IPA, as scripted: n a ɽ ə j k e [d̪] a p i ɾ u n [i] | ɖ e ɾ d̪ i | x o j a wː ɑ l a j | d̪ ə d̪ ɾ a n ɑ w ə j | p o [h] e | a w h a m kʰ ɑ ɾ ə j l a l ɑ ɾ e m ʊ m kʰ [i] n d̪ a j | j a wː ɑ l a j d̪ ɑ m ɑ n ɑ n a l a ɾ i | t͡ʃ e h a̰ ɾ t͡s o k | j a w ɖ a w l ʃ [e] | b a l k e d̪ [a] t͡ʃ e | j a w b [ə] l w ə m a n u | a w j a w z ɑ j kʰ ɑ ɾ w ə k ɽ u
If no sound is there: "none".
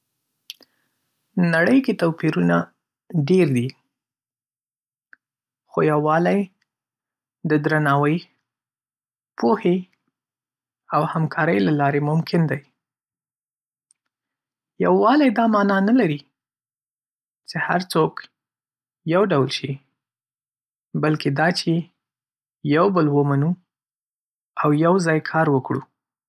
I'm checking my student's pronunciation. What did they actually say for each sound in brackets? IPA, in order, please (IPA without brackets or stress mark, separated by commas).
t̪, a, h, ɪ, i, ɑ, ə